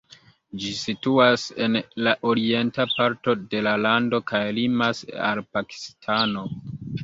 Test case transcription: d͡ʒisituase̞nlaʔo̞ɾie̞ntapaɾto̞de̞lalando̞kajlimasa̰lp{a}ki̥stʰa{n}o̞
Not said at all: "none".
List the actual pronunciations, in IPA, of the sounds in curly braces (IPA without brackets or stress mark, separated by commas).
a, n